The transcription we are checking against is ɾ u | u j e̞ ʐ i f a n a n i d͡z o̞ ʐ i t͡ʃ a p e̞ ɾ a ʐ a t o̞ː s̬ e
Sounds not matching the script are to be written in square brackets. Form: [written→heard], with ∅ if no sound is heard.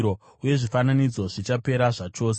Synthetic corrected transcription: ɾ [u→o] | u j e̞ ʐ i f a n a n i d͡z o̞ ʐ i t͡ʃ a p e̞ ɾ a ʐ a [t→t͡ʃ] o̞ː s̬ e